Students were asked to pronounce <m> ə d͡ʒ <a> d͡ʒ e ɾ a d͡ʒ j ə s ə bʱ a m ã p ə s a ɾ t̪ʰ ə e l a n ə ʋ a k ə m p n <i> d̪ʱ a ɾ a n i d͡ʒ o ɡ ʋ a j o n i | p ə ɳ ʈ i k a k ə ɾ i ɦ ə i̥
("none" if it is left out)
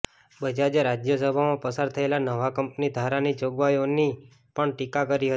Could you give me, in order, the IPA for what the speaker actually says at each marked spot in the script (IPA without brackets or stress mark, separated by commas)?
b, a, i